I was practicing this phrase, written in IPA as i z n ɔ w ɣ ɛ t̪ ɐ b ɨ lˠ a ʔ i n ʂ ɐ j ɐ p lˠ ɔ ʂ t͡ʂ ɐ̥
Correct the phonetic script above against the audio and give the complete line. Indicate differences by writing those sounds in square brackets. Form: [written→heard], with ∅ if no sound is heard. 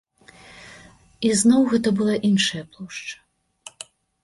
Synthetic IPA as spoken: i z n ɔ w ɣ ɛ t̪ ɐ b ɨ lˠ a ʔ i n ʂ ɐ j ɐ p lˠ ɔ ʂ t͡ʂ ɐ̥